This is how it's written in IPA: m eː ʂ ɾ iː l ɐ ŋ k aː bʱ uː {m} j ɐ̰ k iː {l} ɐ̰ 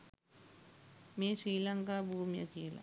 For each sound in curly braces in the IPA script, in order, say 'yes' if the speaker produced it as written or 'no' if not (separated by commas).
yes, yes